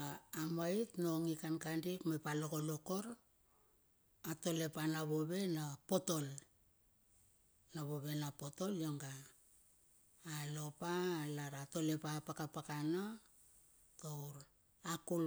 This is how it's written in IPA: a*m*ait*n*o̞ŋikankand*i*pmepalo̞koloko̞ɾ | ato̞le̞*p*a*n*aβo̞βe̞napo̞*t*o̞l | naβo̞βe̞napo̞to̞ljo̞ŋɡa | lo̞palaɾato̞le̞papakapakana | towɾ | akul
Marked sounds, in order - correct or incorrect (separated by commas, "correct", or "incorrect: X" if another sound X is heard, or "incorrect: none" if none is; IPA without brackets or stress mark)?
correct, correct, correct, correct, correct, correct